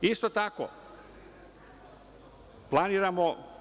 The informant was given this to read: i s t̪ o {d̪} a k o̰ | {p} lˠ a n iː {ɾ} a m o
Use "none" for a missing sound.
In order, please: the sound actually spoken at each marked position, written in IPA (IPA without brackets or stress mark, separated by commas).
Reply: t̪, p, ɾ